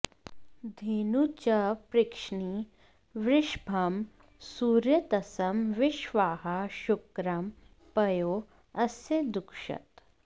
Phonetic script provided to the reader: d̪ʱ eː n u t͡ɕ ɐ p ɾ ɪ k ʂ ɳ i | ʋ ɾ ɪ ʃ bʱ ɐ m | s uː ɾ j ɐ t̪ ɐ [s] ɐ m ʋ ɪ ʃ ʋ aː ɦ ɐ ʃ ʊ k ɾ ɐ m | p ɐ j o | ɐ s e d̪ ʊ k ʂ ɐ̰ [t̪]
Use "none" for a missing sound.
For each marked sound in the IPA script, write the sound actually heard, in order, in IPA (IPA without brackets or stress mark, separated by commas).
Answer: s, t̪